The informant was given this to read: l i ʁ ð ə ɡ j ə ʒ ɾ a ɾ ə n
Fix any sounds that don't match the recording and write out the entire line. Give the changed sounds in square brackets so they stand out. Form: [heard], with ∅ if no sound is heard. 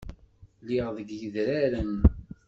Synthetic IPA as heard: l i ʁ ð ə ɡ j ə [ð] ɾ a ɾ ə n